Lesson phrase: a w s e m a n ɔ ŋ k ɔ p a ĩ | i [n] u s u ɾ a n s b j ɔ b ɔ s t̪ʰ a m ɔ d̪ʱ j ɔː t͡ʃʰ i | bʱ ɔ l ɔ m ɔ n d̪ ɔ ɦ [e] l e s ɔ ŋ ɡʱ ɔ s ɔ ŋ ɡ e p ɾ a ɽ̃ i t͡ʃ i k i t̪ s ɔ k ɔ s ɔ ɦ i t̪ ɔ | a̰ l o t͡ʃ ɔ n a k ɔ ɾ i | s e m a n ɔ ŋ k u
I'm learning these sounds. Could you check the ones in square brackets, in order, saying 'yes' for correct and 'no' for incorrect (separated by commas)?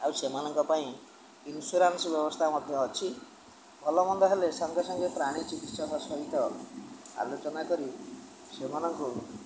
yes, yes